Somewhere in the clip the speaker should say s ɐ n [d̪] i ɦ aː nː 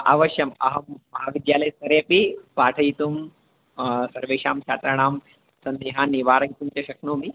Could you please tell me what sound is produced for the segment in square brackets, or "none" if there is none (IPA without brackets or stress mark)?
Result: d̪